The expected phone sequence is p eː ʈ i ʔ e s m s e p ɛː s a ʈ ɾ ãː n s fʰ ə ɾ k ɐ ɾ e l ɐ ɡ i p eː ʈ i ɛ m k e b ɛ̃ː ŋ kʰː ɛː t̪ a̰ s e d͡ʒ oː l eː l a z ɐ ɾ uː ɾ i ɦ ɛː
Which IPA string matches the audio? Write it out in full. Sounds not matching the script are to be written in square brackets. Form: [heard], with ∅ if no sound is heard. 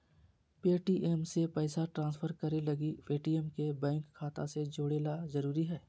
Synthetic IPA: p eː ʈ i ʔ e [∅] m s e p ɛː s a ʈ ɾ ãː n s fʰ ə ɾ k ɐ ɾ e l ɐ ɡ i p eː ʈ i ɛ m k e b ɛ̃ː ŋ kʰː [aː] t̪ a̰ s e d͡ʒ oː [ɽ] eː l a z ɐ ɾ uː ɾ i ɦ ɛː